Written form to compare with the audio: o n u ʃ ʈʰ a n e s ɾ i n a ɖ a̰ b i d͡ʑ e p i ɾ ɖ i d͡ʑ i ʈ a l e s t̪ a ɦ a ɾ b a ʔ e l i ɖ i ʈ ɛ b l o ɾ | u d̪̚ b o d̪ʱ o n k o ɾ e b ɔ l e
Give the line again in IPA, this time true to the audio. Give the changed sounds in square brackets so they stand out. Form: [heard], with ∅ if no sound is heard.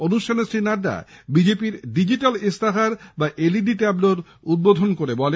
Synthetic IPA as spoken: o n u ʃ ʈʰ a n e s ɾ i n a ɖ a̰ b i d͡ʑ e p i ɾ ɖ i d͡ʑ i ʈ a l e s t̪ a ɦ a ɾ b a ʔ e l i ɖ i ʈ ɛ b l o ɾ | u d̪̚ b o d̪ʱ o n k o ɾ e b ɔ l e